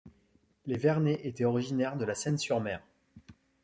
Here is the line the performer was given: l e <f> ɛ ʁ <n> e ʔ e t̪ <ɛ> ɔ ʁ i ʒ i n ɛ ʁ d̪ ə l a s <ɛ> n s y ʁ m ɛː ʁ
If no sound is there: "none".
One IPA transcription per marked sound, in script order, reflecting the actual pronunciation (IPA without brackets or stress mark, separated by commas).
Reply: v, n, ɛ, ɛ